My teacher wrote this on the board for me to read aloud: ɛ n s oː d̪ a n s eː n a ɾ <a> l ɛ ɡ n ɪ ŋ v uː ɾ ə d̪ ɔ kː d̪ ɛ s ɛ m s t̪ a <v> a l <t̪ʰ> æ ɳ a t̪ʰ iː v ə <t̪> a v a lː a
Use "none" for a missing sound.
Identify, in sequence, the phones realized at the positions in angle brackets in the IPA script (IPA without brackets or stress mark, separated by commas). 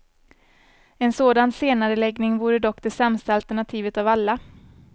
ə, none, t̪, t̪